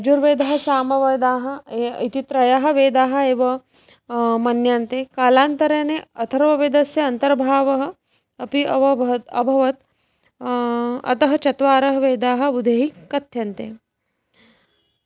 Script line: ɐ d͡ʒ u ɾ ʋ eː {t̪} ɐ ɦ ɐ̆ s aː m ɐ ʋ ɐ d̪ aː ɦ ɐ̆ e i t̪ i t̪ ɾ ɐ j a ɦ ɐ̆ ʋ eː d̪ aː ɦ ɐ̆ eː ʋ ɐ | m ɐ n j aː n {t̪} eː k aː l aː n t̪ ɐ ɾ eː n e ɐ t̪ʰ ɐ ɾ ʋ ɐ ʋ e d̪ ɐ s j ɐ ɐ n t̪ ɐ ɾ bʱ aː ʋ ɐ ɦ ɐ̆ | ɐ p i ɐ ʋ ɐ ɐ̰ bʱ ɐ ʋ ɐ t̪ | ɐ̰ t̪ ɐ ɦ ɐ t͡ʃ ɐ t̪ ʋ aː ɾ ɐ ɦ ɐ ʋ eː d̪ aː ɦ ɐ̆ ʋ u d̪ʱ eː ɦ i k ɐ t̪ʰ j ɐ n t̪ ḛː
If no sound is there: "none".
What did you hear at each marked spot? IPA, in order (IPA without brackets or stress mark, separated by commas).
d̪, t̪